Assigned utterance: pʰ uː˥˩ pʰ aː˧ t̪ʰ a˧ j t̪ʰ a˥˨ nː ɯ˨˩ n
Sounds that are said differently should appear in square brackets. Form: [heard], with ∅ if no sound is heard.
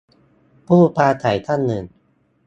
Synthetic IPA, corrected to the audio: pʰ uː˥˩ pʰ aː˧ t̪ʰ [a˩˦] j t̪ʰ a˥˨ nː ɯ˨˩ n